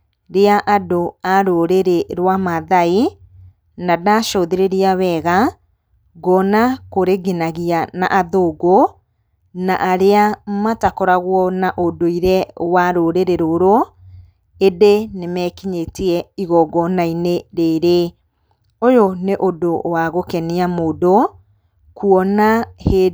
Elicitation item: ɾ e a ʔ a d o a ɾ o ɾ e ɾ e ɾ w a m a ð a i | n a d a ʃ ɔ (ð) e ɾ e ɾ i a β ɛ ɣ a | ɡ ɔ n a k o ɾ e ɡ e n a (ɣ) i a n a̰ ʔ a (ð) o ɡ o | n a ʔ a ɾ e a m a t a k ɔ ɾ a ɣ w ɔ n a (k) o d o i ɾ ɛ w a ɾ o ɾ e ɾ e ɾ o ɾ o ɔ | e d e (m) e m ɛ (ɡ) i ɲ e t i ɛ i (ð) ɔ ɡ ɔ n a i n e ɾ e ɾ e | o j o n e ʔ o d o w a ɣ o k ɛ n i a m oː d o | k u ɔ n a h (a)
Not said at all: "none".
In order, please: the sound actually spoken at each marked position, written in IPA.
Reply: ð, ɣ, ð, ʔ, n, k, ɣ, e

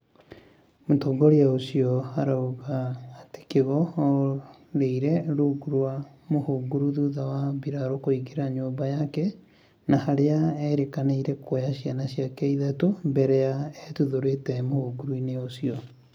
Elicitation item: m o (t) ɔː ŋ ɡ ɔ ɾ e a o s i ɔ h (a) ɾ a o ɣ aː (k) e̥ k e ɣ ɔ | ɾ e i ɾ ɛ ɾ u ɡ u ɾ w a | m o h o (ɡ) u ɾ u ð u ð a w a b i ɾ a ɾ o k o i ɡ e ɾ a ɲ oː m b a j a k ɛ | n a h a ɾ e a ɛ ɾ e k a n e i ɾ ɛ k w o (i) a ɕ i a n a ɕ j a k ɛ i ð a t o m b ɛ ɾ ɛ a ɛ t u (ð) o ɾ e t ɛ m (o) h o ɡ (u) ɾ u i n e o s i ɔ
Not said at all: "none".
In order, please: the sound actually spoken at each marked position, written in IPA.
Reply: t, a, t, ɡ, j, ð, o, u

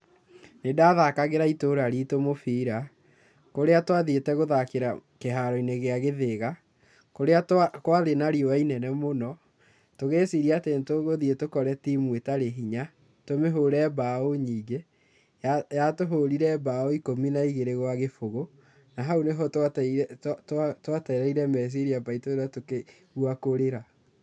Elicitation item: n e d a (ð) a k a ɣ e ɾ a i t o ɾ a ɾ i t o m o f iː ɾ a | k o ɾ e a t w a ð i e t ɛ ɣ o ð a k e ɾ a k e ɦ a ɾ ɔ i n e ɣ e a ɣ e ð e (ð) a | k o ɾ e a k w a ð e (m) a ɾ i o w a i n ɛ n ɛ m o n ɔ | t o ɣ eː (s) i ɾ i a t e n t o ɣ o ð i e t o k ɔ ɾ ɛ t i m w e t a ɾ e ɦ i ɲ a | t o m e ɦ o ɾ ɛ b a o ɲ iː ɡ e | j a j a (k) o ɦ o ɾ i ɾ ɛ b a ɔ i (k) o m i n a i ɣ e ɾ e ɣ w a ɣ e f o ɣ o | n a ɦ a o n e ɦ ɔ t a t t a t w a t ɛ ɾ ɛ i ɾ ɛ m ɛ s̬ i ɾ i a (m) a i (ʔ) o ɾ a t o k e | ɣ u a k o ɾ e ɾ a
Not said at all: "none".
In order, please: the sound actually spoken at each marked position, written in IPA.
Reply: ð, ɣ, n, s, t, k, b, t

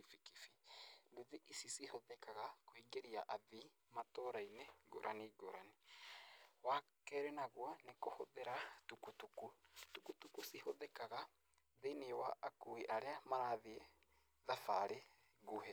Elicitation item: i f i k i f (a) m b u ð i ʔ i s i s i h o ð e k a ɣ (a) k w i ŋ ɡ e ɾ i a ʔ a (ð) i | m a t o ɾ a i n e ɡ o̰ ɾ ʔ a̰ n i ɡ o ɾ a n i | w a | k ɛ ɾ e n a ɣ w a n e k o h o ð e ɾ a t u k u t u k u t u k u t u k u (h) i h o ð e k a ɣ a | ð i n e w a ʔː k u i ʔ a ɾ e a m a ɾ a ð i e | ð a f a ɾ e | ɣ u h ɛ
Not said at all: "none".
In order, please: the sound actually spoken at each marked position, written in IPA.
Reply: i, a, ð, s

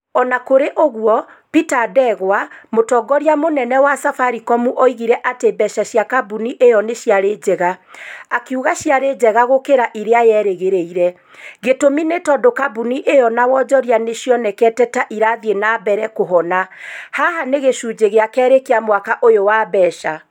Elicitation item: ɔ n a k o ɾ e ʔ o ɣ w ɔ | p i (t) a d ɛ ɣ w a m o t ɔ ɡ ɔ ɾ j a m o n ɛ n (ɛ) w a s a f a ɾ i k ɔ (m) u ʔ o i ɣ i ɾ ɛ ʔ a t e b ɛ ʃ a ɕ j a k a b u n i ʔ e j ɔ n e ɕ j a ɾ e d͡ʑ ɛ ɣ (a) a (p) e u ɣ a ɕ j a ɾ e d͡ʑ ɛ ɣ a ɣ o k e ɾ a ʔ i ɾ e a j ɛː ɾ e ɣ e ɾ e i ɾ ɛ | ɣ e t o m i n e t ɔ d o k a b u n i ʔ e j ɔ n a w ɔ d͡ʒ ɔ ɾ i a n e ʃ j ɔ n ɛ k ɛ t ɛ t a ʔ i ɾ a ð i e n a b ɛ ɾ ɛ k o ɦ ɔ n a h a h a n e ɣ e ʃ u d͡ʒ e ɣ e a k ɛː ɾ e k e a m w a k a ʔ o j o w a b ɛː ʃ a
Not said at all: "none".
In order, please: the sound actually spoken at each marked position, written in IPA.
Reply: t, ɛ, m, a, k

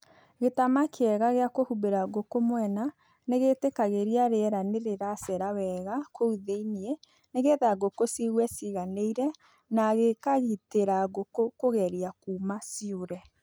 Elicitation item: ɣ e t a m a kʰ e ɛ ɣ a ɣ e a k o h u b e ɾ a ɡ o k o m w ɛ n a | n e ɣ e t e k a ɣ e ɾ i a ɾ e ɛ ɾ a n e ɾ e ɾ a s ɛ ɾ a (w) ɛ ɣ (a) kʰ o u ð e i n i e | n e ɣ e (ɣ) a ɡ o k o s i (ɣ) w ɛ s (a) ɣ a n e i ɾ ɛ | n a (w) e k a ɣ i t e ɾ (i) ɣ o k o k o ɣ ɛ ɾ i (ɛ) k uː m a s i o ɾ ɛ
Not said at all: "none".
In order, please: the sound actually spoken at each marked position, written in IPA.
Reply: w, a, ð, ɣ, i, ɣ, a, a

